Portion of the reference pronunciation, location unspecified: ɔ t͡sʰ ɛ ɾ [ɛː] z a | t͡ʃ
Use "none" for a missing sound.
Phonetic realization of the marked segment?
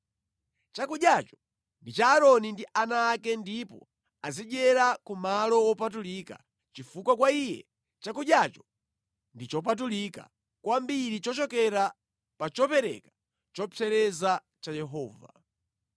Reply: ɛ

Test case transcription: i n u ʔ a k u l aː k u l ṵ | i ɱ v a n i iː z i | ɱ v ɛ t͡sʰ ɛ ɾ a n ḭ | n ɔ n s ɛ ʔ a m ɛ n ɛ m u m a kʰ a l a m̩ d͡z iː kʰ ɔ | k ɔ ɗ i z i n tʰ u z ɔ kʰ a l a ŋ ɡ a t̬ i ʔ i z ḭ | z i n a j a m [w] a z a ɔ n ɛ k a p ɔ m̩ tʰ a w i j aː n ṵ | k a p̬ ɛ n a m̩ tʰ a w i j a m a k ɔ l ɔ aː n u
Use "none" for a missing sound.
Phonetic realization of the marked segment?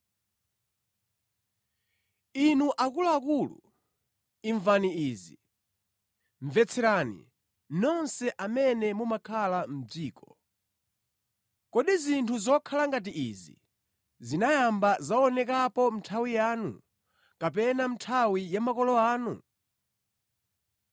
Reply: b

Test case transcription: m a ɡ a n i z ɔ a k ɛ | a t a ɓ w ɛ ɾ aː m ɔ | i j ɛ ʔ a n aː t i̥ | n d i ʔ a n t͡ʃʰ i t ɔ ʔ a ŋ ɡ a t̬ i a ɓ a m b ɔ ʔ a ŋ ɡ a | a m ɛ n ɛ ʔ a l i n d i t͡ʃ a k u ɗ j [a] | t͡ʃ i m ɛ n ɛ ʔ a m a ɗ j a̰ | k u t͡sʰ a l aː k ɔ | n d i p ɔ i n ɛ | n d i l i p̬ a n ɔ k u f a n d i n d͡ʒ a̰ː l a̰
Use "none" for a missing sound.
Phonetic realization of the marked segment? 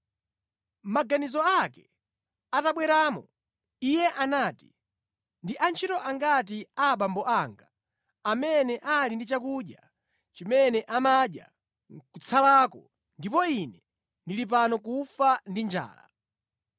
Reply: a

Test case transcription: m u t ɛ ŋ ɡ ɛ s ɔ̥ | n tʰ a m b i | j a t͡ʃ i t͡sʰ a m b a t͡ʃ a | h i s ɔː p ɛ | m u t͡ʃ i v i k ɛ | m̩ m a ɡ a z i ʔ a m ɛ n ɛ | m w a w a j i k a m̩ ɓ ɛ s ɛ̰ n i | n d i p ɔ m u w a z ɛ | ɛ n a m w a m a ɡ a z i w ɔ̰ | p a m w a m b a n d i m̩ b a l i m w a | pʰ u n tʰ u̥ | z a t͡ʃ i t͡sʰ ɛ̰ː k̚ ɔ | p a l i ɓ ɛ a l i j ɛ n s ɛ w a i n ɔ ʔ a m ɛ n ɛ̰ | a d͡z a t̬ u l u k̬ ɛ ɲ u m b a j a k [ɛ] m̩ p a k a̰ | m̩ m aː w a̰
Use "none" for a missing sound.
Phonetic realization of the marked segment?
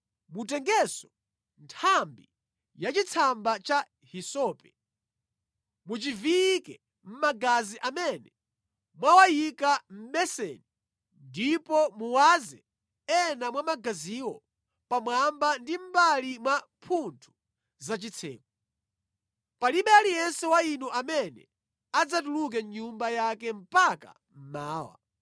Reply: ɛ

